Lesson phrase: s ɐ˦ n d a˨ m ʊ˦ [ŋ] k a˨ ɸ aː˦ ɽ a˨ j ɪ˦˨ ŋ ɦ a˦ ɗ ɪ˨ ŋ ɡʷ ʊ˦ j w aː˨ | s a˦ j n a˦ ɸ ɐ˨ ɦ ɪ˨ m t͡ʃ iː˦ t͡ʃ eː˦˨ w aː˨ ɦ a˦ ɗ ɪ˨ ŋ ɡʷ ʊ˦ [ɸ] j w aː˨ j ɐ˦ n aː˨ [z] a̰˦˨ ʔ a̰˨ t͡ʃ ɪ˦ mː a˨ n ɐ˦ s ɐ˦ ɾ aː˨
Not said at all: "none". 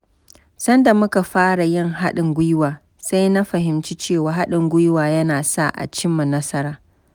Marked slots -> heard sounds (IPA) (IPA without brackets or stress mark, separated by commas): none, none, s